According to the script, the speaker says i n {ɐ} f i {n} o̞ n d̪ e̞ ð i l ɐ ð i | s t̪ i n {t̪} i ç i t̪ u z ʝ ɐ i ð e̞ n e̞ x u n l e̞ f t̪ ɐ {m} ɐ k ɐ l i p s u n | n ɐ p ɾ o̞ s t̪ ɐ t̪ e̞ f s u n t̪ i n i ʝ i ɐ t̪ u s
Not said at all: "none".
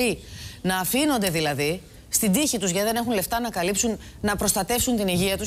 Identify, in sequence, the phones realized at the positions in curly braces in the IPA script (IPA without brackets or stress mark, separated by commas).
ɐː, n, d̪, n